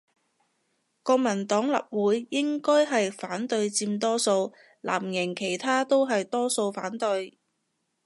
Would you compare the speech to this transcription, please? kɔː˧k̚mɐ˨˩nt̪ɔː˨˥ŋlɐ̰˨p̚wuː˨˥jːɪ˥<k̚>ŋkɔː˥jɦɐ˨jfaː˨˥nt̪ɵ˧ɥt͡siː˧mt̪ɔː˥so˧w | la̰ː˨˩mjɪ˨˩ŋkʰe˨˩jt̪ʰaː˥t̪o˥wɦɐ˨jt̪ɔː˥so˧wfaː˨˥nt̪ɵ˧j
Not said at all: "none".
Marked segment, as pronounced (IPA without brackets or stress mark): none